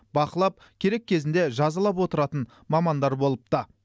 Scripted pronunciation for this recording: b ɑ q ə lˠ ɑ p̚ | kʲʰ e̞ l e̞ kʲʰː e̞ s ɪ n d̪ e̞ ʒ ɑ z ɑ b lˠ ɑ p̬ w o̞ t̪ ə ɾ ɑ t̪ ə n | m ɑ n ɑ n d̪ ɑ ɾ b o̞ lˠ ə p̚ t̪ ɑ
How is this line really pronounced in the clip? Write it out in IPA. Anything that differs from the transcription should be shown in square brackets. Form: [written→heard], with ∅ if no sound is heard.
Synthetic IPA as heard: b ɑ q ə lˠ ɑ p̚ | kʲʰ e̞ [l→ɾ] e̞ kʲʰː e̞ [s→z] ɪ n d̪ e̞ ʒ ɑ z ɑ [b→∅] lˠ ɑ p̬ w o̞ t̪ ə ɾ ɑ t̪ ə n | m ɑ [n→m] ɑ n d̪ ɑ ɾ b o̞ lˠ ə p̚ t̪ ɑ